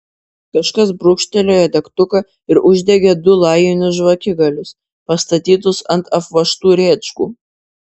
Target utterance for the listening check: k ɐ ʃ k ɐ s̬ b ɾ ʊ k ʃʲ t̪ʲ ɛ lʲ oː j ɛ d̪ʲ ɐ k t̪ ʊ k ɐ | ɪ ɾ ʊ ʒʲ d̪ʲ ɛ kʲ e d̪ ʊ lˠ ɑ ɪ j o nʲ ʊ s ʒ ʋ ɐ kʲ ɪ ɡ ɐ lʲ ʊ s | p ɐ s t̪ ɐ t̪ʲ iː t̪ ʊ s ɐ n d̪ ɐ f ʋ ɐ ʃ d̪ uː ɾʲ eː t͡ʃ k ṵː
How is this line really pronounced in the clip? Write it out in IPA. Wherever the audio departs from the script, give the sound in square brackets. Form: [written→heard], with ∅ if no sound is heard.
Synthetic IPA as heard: k ɐ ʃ k ɐ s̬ b ɾ ʊ k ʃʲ t̪ʲ ɛ lʲ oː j ɛ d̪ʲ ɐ k t̪ ʊ k ɐ | ɪ ɾ ʊ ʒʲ d̪ʲ ɛ [kʲ→ɡʲ] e d̪ ʊ lˠ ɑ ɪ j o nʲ ʊ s ʒ ʋ ɐ kʲ ɪ ɡ ɐ lʲ ʊ s | p ɐ s t̪ ɐ t̪ʲ iː t̪ ʊ s ɐ n [d̪→t̪] ɐ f ʋ ɐ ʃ [d̪→t̪] uː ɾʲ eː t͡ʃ k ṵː